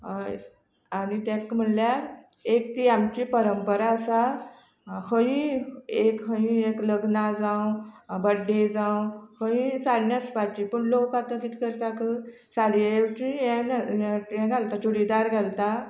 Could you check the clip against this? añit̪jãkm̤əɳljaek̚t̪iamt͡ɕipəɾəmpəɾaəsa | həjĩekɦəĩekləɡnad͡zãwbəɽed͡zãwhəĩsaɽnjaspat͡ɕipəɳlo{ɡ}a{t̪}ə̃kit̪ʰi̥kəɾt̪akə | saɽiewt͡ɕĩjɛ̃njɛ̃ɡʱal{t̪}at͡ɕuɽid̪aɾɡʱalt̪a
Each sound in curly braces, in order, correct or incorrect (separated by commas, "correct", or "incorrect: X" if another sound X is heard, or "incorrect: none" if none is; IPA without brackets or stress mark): incorrect: k, correct, correct